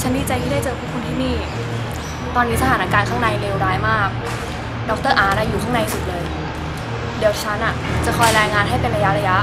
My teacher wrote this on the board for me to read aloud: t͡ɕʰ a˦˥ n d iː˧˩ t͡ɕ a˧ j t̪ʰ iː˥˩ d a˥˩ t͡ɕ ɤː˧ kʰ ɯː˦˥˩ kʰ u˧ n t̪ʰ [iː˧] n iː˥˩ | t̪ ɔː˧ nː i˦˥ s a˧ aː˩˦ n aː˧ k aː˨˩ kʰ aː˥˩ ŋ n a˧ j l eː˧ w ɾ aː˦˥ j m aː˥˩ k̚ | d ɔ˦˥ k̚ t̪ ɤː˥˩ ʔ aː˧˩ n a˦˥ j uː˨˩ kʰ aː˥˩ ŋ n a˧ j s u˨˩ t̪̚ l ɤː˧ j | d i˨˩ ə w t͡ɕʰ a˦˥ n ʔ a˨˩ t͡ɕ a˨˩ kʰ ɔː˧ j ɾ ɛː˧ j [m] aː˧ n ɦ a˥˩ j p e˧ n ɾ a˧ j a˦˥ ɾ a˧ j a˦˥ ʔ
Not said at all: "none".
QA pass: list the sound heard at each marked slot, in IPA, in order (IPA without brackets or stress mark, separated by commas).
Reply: iː˥˩, ŋ